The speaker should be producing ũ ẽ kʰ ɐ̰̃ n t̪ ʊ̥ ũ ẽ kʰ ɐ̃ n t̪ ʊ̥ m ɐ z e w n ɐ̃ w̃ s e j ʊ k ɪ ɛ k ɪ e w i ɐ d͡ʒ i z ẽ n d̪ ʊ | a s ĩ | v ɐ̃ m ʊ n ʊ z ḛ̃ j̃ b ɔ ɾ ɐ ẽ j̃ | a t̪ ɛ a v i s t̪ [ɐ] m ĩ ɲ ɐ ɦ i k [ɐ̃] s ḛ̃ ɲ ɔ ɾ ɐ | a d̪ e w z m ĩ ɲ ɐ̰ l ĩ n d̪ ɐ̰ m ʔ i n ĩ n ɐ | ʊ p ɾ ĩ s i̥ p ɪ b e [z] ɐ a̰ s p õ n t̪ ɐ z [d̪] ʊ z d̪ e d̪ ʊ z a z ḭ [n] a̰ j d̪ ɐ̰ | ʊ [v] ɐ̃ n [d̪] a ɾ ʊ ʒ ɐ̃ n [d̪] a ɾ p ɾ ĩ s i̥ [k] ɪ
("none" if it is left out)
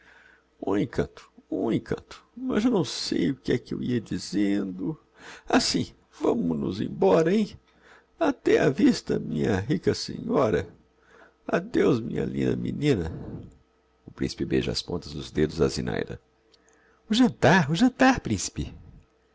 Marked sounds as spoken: ɐ, ɐ, ʒ, d̪, n, ʒ, t̪, t̪, p

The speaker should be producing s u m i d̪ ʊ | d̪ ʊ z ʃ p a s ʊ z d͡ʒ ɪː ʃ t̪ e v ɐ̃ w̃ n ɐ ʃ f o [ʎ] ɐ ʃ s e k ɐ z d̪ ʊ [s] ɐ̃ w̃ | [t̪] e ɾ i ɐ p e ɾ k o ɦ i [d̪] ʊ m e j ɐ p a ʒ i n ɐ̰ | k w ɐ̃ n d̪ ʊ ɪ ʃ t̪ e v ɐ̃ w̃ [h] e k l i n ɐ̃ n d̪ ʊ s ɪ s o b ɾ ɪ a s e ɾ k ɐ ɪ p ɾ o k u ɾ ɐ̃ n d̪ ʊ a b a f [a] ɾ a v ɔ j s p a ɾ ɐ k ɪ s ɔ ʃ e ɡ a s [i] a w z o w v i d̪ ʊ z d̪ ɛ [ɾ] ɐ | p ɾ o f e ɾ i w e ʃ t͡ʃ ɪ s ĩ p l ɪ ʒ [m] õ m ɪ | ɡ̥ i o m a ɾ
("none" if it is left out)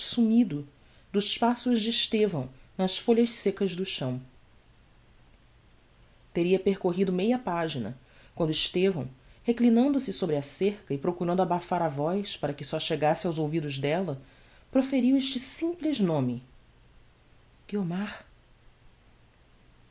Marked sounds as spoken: ʎ, ʃ, t̪, d̪, h, a, ɪ, l, n

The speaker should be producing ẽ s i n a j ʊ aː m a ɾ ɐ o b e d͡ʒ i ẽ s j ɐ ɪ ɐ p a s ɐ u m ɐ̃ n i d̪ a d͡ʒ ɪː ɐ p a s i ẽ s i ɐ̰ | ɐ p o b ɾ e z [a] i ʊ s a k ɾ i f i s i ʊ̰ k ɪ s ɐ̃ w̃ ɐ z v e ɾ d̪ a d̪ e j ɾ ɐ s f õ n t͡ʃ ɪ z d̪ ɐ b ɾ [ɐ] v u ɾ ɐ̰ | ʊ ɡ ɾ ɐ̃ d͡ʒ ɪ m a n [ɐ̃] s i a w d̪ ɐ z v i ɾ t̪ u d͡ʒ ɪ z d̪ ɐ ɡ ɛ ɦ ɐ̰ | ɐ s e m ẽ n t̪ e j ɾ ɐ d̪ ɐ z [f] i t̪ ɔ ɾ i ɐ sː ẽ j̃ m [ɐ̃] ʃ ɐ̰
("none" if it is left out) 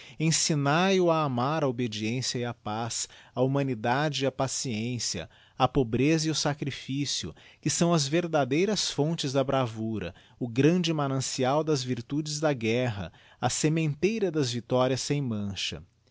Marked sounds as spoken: ɐ, a, ɐ̃, v, ɐ̃

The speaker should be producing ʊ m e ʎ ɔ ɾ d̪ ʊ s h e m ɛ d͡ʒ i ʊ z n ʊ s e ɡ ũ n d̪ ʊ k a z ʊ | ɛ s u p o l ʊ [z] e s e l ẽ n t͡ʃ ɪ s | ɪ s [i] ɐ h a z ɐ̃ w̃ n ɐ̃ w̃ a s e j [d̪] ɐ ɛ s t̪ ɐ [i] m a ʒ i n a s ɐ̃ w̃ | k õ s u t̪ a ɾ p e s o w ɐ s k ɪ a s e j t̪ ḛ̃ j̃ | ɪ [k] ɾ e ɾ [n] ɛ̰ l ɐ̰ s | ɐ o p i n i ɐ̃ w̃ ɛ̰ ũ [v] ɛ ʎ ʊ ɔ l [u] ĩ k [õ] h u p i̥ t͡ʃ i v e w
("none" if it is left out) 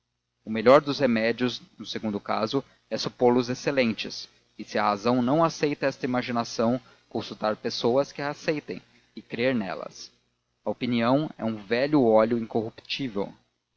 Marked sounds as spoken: z, ɪ, t̪, i, k, n, v, ʊ, o

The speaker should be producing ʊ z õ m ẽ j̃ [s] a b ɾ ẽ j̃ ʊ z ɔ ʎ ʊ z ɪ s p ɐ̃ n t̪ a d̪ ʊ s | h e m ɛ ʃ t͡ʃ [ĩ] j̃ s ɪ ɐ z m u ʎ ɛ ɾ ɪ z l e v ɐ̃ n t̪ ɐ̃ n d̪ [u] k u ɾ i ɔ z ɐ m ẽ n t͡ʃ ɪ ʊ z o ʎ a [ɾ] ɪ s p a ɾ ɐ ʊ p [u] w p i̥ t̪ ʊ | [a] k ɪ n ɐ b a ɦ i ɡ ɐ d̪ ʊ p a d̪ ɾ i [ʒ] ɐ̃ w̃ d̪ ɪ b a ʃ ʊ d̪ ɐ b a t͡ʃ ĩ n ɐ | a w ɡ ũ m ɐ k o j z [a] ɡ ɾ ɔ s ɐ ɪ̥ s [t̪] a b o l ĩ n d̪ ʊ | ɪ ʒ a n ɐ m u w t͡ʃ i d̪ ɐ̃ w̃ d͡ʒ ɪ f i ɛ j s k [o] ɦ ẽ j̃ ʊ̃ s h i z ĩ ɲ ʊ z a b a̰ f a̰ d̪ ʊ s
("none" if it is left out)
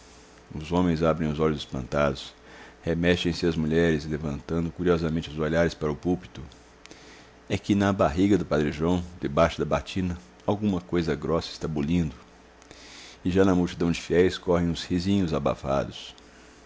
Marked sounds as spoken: z, ẽ, ʊ, ɾ, u, ɛ, ʒ, ɐ, t̪, ɔ

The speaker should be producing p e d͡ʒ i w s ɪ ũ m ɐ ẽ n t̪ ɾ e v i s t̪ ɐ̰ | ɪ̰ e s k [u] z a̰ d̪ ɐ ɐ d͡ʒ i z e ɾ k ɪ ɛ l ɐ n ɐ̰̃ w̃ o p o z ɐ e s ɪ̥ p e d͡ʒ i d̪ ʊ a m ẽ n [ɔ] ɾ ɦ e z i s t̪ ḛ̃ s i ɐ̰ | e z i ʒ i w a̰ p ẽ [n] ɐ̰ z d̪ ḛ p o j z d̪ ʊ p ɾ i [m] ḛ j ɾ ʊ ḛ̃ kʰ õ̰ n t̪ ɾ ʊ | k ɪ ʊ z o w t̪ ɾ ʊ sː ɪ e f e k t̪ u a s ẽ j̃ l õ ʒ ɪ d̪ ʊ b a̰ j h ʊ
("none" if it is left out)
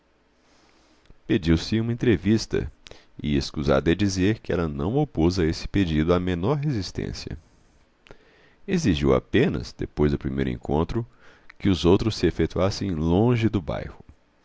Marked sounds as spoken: u, ɔ, n, m

